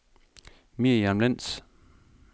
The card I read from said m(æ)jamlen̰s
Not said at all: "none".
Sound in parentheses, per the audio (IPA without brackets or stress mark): i